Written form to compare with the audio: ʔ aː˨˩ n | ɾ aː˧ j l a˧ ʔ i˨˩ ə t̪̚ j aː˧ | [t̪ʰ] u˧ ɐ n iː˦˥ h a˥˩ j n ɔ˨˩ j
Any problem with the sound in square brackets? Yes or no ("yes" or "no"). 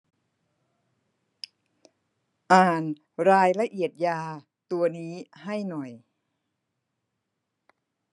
yes